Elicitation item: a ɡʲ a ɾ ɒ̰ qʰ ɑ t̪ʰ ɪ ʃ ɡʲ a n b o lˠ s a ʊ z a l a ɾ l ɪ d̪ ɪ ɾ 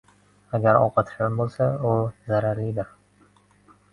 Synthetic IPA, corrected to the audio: a ɡʲ a ɾ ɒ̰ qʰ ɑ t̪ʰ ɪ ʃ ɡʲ a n b o lˠ s a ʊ z a ɾ a ɾ l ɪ d̪ ɪ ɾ